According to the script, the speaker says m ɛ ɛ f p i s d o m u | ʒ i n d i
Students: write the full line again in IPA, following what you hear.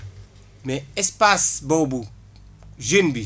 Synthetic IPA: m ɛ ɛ s p a s b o b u | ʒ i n b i